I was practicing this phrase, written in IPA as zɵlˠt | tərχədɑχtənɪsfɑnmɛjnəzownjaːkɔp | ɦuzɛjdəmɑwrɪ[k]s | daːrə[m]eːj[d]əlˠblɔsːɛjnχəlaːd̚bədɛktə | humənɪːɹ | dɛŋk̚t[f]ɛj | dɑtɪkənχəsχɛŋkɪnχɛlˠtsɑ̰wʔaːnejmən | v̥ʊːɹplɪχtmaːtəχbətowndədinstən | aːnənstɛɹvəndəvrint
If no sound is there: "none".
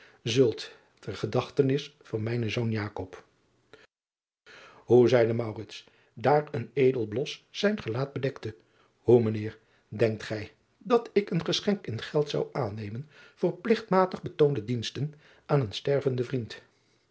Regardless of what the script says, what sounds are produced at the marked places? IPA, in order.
t, n, d, χ

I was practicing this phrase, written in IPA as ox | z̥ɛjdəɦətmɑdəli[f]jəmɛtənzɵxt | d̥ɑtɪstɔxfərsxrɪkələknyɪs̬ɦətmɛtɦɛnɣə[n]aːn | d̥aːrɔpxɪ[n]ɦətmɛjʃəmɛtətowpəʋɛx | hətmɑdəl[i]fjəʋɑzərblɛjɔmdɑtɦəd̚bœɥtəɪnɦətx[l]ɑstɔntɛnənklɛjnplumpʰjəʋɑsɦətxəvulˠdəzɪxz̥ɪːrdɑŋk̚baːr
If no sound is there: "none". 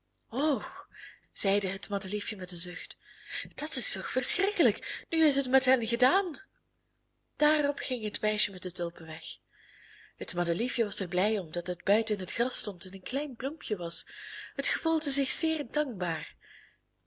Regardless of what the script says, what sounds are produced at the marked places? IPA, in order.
f, d, ŋ, i, r

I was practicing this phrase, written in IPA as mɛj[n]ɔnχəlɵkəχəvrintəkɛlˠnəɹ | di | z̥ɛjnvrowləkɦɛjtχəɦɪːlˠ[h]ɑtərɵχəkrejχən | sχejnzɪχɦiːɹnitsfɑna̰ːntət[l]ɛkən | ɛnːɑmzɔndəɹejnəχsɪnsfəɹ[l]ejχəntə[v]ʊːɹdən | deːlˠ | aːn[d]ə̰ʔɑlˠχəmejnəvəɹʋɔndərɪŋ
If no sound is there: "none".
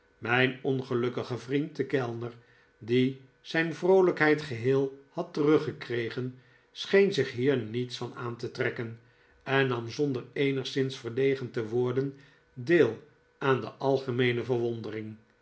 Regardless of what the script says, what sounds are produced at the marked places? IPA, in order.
n, h, r, l, ʋ, d

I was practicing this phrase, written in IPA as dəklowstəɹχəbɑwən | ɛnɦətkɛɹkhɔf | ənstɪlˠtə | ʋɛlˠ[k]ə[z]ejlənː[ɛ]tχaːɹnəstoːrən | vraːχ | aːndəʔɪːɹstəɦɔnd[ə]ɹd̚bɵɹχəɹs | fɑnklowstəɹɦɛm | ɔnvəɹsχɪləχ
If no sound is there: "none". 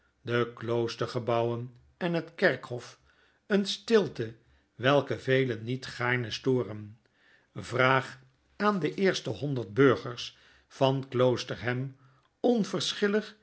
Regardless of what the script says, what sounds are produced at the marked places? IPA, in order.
k, v, i, ə

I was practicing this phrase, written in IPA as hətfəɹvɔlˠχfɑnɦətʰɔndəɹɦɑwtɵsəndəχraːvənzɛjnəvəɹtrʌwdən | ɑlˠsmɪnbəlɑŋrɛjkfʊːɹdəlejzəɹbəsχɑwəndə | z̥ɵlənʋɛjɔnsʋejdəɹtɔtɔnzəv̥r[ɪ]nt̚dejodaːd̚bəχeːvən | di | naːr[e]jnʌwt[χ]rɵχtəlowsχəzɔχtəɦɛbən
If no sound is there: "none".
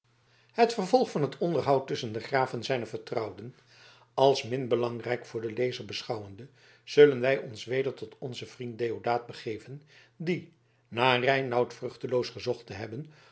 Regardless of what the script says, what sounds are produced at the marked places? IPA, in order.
i, ɛ, f

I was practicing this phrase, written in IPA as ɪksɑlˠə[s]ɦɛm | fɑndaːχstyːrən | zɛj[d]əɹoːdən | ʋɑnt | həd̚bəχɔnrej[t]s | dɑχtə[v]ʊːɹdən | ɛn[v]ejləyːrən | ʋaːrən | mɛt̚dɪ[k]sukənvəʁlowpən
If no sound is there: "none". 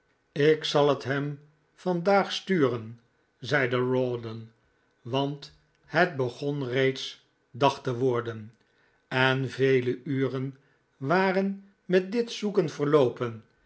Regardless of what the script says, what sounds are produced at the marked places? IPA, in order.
t, d, t, ʋ, v, t

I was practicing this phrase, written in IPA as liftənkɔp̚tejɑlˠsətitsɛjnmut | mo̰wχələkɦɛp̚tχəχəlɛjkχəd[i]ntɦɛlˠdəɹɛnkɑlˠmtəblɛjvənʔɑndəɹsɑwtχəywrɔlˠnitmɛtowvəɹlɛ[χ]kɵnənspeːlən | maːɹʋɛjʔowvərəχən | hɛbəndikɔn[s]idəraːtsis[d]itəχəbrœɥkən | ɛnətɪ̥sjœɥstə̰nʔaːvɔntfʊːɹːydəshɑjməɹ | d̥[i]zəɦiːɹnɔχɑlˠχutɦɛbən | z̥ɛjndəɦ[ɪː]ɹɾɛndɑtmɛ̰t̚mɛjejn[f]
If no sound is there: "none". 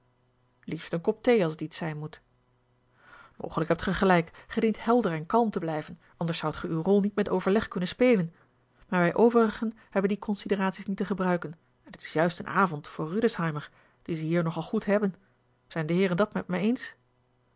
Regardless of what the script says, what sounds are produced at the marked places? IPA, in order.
i, χ, s, n, i, ɪː, s

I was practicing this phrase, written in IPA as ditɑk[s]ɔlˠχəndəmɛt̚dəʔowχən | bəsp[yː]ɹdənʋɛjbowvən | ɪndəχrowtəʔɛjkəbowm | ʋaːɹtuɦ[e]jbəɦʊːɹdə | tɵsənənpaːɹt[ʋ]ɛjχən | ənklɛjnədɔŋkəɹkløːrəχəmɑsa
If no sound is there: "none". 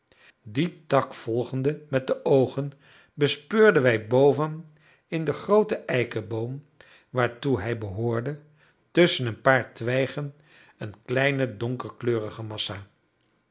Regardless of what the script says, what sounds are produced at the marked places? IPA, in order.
f, øː, ɛ, ʋ

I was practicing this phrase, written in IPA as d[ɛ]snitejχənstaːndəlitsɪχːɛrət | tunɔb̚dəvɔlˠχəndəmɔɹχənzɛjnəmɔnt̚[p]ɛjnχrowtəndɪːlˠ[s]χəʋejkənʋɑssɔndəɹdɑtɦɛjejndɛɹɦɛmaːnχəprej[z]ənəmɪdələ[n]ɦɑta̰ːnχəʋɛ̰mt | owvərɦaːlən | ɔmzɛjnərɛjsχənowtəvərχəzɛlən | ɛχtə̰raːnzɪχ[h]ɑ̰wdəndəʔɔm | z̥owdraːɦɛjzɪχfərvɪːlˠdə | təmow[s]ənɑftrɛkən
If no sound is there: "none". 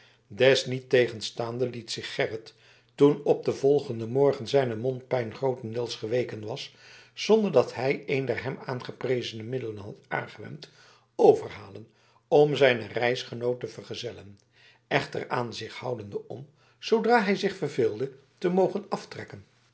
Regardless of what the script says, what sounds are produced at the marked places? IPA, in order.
ɛ, p, s, z, n, h, χ

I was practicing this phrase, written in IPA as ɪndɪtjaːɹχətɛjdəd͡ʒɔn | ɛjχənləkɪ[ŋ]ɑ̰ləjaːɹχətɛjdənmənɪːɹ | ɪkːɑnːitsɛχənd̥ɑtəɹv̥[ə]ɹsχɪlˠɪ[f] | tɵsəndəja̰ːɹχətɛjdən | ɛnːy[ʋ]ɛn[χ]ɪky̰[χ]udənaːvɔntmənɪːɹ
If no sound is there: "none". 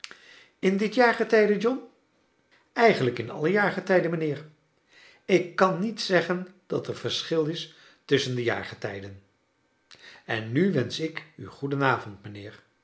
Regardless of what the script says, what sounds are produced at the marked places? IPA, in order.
n, ə, s, ʋ, s, χ

